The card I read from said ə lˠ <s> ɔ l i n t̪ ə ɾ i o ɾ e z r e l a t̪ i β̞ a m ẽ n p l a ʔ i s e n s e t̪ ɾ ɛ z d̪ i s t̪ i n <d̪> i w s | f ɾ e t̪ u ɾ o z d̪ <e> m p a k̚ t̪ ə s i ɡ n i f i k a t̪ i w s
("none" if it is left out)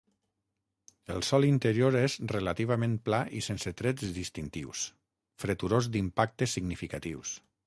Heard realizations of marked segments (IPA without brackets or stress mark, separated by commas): s, t̪, i